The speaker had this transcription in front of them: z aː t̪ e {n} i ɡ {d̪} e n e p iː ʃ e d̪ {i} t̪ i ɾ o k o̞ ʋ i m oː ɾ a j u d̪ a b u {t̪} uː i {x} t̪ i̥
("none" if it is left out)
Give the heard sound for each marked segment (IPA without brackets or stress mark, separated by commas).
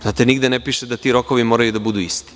n, d̪, a, d̪, s